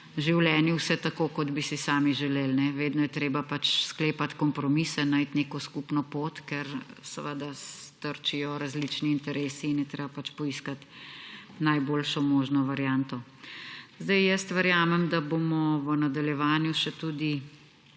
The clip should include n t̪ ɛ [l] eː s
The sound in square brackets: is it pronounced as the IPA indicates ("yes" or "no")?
no